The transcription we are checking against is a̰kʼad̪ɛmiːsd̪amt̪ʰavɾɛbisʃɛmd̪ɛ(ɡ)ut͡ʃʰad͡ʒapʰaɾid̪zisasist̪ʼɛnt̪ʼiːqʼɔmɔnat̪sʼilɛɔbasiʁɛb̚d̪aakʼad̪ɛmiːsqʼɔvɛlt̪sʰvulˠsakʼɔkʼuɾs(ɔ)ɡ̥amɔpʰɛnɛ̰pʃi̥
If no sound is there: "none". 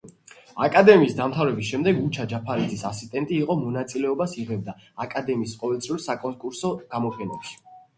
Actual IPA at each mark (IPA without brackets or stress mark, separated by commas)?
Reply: ɡ, ɔ